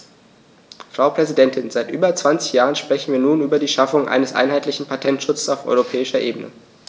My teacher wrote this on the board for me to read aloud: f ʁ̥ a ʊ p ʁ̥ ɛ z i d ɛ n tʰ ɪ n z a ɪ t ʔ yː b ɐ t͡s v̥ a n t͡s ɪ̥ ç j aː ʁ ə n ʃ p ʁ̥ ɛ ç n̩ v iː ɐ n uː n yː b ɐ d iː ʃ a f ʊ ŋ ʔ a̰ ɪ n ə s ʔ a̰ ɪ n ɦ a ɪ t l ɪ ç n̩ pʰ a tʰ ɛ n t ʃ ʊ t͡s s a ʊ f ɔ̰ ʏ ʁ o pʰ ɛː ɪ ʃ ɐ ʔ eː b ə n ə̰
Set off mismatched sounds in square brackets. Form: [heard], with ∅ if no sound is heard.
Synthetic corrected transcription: f ʁ̥ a ʊ p ʁ̥ ɛ z i d ɛ n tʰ ɪ n z a ɪ t ʔ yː b ɐ t͡s v̥ a n t͡s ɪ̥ ç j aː ʁ ə n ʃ p ʁ̥ ɛ ç n̩ v iː ɐ n uː n yː b ɐ d iː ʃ a f ʊ ŋ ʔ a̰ ɪ n ə s ʔ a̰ ɪ n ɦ a ɪ t l ɪ ç n̩ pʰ a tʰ ɛ n t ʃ ʊ t͡s s a ʊ f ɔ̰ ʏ ʁ o pʰ ɛː ɪ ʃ ɐ ʔ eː b ə n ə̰

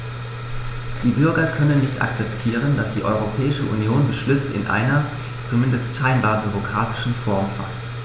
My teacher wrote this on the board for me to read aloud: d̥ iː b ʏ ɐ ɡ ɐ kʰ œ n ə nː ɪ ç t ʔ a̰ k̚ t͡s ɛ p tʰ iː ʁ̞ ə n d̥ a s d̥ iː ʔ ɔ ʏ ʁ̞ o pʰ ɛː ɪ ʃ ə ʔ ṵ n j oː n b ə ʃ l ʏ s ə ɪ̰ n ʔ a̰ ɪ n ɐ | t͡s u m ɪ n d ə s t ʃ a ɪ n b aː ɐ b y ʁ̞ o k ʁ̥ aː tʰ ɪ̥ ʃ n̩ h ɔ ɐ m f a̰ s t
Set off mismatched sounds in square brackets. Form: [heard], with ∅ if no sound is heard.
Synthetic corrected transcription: d̥ iː b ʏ ɐ ɡ ɐ kʰ œ n ə nː ɪ ç t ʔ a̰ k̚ t͡s ɛ p tʰ iː ʁ̞ ə n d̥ a s d̥ iː ʔ ɔ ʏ ʁ̞ o pʰ ɛː ɪ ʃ ə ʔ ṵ n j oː n b ə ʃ l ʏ s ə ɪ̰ n ʔ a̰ ɪ n ɐ | t͡s u m ɪ n d ə s t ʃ a ɪ n b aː ɐ b y ʁ̞ o k ʁ̥ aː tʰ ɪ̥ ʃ n̩ [f] ɔ ɐ m f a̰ s t

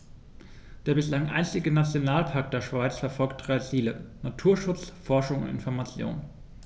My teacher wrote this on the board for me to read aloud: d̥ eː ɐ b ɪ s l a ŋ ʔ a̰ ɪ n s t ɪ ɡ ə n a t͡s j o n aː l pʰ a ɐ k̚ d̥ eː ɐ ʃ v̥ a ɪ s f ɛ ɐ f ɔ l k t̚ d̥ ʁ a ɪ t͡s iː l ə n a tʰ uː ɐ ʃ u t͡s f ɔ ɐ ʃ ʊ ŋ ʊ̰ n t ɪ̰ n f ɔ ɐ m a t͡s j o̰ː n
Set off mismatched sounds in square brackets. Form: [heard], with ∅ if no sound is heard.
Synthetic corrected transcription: d̥ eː ɐ b ɪ s l a ŋ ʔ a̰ ɪ n s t ɪ ɡ ə n a t͡s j o n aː l pʰ a ɐ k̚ d̥ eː ɐ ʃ v̥ a ɪ [t͡s] f ɛ ɐ f ɔ l k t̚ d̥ ʁ a ɪ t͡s iː l ə n a tʰ uː ɐ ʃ [ʊ] t͡s f ɔ ɐ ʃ ʊ ŋ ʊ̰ n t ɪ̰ n f ɔ ɐ m a t͡s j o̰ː n

